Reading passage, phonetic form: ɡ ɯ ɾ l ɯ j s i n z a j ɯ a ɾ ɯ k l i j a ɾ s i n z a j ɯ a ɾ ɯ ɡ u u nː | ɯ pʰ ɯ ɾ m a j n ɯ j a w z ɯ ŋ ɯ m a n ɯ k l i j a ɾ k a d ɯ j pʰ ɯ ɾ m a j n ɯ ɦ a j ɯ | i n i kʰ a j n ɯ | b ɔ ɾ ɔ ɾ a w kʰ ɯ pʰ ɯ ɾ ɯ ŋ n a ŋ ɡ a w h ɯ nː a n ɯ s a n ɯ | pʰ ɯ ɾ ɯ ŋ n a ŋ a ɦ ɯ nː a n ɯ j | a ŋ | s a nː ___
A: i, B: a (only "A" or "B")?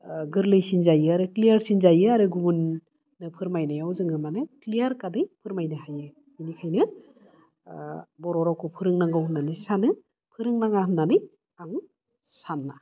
B